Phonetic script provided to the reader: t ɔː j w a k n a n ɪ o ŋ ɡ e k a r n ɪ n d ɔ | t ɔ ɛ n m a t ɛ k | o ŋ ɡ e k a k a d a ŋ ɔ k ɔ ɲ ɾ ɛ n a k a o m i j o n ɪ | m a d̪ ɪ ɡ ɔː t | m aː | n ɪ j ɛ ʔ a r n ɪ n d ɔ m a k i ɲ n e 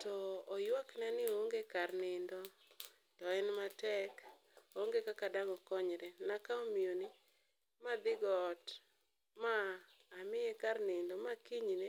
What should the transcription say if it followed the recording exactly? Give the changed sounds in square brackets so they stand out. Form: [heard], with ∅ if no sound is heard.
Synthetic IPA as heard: t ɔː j w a k n a n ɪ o ŋ ɡ e k a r n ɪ n d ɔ | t ɔ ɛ n m a t ɛ k | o ŋ ɡ e k a k a d a ŋ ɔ k ɔ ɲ ɾ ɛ n a k a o m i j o n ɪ | m a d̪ ɪ ɡ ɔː t | m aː | [m] ɪ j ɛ [k] a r n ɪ n d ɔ m a k i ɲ n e